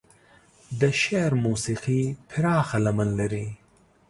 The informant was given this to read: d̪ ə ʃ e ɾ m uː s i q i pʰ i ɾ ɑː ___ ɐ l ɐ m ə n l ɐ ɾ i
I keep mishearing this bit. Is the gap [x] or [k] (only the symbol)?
x